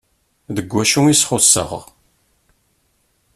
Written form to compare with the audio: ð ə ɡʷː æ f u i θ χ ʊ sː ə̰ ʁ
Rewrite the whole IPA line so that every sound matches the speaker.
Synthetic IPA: ð ə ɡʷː æ ʃ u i s χ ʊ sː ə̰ ʁ